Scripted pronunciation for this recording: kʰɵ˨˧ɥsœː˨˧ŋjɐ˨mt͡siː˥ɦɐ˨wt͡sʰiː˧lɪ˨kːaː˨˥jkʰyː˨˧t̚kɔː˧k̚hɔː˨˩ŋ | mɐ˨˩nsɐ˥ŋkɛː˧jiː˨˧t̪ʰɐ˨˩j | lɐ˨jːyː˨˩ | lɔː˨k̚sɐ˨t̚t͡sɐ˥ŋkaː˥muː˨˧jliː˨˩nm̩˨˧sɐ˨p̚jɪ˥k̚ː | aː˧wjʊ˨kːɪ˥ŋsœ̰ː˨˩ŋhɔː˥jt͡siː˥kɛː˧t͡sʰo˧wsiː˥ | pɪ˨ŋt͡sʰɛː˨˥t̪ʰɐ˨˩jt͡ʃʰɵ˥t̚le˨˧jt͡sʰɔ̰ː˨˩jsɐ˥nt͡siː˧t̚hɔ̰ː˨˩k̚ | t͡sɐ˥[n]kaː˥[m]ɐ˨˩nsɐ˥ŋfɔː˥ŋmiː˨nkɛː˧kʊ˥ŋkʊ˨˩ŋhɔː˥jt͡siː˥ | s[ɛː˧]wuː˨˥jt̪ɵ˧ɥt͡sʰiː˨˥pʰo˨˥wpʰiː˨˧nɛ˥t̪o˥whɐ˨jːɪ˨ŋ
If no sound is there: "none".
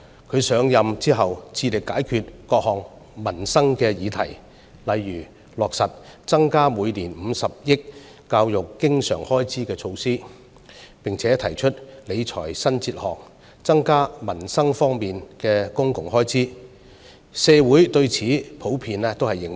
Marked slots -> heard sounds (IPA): ŋ, m, ɛː˧

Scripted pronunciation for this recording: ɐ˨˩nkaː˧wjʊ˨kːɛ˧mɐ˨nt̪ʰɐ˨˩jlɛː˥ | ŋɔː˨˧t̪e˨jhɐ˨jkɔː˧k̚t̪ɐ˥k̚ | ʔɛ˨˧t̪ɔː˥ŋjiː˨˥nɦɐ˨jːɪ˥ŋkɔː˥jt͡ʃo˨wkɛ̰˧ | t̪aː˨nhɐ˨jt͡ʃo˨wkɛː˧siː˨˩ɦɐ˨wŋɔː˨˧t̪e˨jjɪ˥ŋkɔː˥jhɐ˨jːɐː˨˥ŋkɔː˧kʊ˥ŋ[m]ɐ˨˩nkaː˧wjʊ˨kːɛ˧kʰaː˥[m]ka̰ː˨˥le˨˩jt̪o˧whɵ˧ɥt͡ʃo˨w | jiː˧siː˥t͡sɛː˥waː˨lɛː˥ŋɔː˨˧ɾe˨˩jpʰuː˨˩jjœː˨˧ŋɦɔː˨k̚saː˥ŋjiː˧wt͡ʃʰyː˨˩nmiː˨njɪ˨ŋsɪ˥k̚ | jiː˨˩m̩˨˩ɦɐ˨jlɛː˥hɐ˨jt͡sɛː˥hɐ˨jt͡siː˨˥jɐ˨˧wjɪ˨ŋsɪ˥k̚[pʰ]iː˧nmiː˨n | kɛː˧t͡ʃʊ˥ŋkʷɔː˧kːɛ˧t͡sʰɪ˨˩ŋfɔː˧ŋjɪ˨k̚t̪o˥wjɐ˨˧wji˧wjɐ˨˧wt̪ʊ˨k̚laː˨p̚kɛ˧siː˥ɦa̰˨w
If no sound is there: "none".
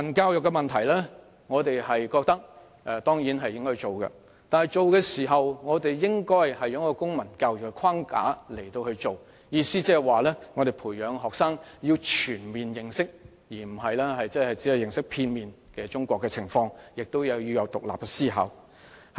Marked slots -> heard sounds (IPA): m, ŋ, pʰ

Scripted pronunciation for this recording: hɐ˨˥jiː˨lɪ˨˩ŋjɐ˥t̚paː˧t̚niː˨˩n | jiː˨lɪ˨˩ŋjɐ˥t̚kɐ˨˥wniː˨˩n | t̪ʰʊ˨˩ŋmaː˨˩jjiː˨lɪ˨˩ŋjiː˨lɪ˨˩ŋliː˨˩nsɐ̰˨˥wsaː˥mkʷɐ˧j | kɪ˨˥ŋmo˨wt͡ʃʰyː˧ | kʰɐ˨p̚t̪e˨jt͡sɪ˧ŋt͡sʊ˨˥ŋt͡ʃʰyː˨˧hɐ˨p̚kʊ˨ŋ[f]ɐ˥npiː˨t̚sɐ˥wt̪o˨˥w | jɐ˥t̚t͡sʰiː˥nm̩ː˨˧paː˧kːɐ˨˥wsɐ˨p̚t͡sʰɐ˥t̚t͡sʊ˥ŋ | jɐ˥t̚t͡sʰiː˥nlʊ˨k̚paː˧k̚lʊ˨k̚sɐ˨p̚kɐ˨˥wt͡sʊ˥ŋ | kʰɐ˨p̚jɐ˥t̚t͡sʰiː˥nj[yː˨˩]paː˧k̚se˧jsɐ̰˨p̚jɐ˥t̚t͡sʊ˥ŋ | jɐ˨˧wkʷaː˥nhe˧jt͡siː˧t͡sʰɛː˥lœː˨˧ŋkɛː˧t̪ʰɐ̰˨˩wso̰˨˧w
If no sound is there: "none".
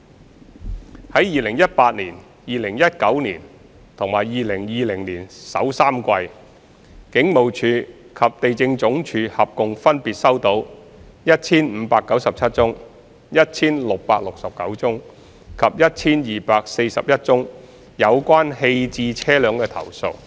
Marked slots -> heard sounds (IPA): f, iː˨˩

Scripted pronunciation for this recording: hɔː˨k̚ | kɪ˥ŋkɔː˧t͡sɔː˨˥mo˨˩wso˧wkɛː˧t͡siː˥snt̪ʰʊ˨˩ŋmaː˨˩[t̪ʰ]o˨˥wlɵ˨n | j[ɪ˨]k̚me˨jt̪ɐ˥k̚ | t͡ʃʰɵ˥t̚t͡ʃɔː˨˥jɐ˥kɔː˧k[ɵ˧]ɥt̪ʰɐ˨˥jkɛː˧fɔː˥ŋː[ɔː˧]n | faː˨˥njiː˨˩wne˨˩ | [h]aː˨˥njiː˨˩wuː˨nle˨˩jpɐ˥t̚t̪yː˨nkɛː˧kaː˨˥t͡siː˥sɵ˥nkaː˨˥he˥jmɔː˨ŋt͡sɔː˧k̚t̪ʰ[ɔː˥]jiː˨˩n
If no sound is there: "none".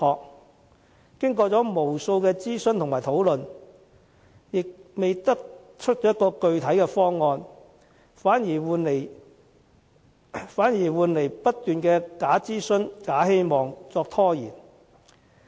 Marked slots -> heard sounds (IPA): t̪ʰ, ɪ˨, ɵ˧, ɔː˧, f, ɔː˥

